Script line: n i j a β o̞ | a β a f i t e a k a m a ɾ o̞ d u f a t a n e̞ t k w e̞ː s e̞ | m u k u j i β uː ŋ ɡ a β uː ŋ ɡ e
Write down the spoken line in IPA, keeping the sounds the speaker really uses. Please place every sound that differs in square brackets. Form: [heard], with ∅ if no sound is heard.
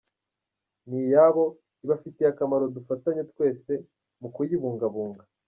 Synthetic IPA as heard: n i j a β o̞ | [i] β a f i t e a k a m a ɾ o̞ d u f a t a [ɲ] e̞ t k w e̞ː s e̞ | m u k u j i β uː ŋ ɡ a β uː ŋ ɡ [a]

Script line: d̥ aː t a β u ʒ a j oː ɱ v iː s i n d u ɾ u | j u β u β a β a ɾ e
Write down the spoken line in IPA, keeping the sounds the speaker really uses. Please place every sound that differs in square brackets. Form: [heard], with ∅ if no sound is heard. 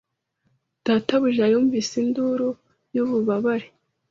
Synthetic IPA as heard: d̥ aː t a β u ʒ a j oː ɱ v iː s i n d u ɾ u | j u β u β a β a ɾ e

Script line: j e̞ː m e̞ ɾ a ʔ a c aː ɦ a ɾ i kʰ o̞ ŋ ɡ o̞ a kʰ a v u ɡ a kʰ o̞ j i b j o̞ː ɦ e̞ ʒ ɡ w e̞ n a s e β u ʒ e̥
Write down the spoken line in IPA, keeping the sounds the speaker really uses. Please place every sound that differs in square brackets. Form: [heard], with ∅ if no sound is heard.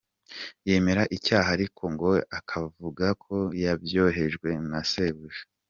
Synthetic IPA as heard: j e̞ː m e̞ ɾ a ʔ [i] c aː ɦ a ɾ i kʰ o̞ ŋ ɡ o̞ a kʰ a v u ɡ a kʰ o̞ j [a] b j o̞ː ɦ e̞ ʒ ɡ w e̞ n a s e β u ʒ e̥

